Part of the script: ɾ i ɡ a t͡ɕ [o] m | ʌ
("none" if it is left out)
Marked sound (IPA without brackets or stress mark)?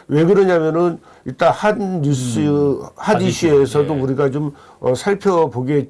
o